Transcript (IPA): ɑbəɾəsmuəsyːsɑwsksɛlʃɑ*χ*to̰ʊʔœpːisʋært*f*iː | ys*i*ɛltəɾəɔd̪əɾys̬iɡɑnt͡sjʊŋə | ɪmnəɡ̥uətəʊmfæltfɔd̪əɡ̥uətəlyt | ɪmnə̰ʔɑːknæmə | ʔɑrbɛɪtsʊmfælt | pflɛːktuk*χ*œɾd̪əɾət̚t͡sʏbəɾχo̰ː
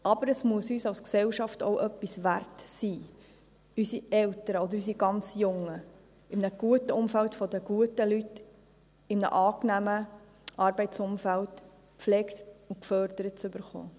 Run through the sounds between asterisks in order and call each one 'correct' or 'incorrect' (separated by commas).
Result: incorrect, incorrect, correct, incorrect